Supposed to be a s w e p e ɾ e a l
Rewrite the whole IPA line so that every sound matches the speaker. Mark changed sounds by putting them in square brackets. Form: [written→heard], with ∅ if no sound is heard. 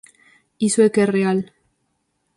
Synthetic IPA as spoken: [a→i] s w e [p→k] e [ɾ→r] e a l